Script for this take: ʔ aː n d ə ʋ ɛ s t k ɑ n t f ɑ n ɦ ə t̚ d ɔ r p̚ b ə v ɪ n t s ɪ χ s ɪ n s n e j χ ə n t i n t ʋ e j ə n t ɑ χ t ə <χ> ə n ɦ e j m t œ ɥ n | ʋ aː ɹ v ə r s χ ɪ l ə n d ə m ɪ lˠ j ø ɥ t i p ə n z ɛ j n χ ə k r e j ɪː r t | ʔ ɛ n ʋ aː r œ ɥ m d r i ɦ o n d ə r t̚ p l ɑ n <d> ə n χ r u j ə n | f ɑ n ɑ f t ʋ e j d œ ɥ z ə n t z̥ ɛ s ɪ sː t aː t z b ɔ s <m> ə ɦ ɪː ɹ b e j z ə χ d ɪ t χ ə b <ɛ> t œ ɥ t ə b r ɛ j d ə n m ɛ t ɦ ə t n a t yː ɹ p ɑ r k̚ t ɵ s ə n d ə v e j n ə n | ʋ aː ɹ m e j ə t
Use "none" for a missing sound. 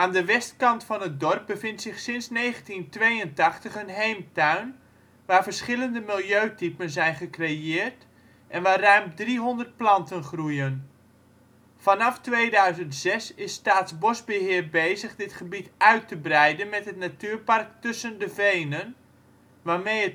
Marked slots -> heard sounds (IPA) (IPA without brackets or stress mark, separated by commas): χ, t, b, i